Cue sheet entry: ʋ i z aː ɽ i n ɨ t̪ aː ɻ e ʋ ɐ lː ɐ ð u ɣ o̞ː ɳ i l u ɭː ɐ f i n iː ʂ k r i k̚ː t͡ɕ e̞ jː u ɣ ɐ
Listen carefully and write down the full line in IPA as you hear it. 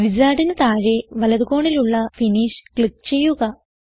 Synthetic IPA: ʋ i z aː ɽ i n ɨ t̪ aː ɻ e ʋ ɐ l ɐ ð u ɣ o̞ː ɳ i l u ɭː ɐ f i n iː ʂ k ɭ i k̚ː t͡ɕ e̞ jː u ɣ ɐ